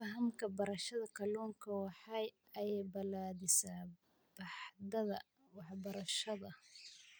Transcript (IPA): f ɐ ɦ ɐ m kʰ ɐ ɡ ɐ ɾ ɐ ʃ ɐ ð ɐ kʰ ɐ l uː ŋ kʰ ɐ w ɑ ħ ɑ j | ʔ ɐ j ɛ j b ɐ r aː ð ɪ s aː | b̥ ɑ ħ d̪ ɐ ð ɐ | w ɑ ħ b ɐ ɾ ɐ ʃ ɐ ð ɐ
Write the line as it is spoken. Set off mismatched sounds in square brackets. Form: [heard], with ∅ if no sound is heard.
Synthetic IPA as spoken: f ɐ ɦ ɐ m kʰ ɐ [b] ɐ ɾ ɐ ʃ ɐ ð ɐ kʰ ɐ l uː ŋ kʰ ɐ w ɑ ħ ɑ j | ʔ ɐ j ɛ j b ɐ [l] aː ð ɪ s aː | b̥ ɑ ħ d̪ ɐ ð ɐ | w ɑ ħ b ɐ ɾ ɐ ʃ ɐ ð ɐ